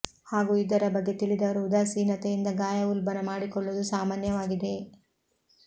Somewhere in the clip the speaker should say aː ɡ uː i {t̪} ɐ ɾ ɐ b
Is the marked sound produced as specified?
no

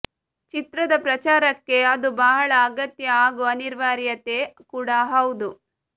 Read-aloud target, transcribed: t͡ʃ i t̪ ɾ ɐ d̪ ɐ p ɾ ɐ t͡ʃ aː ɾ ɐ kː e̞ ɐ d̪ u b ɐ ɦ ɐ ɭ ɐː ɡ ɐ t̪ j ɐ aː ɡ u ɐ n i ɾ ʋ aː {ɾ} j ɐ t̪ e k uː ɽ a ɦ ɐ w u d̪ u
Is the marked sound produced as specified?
yes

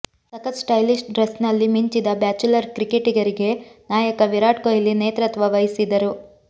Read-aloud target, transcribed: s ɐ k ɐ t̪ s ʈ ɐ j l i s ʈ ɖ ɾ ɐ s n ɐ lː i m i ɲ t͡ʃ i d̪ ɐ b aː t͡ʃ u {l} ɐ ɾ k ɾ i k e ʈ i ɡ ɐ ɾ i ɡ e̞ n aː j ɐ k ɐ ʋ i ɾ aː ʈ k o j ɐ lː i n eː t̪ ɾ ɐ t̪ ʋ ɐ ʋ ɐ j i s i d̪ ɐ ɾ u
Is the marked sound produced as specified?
yes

